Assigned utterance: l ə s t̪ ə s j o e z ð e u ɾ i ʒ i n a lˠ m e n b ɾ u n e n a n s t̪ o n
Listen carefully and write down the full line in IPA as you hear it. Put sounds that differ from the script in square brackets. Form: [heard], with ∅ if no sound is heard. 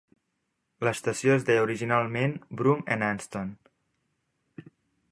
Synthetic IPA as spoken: l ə s t̪ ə s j o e z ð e u ɾ i ʒ i n a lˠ m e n b ɾ u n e n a n s t̪ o n